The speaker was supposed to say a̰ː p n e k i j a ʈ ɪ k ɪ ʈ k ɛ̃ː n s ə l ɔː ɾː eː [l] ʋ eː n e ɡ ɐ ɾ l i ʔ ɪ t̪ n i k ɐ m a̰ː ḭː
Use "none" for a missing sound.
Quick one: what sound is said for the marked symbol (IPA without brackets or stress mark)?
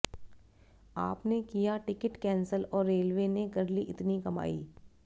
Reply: l